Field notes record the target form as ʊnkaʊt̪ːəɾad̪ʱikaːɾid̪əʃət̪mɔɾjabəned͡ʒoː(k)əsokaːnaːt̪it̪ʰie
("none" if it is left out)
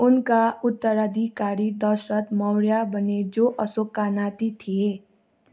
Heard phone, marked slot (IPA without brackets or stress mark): ʔ